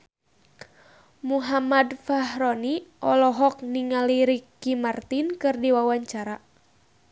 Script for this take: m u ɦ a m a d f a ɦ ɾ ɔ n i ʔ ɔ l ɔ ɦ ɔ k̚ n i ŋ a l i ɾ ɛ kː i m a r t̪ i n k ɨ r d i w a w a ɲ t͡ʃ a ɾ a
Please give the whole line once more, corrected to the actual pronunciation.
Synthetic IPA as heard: m u ɦ a m a d f a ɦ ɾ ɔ n i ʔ ɔ l ɔ ɦ ɔ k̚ n i ŋ a l i ɾ i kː i m a r t̪ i n k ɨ r d i w a w a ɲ t͡ʃ a ɾ a